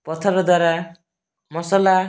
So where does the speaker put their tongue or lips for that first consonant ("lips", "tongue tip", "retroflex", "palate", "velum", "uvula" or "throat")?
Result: lips